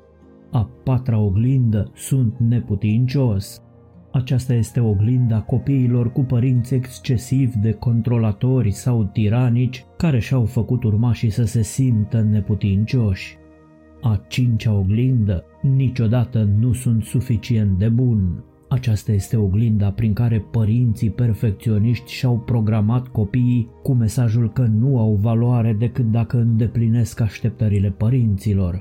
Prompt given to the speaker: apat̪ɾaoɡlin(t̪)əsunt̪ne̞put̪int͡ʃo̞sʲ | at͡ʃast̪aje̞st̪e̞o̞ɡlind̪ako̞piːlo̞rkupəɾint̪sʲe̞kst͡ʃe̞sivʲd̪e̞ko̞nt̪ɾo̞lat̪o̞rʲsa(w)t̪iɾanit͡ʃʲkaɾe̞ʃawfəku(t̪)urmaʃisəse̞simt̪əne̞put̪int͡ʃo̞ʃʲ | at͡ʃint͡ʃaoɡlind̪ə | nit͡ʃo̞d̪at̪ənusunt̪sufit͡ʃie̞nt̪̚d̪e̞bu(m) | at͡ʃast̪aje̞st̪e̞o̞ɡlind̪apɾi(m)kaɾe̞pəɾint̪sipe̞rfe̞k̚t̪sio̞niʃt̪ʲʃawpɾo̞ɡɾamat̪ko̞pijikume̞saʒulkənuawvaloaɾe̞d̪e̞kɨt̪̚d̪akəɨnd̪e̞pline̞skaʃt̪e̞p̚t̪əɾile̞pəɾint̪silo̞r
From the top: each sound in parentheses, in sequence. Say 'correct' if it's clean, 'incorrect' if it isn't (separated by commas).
incorrect, correct, correct, incorrect, incorrect